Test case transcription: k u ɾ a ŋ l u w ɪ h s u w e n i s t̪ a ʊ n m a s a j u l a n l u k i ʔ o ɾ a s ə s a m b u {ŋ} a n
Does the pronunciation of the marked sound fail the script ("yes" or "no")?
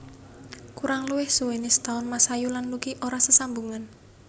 no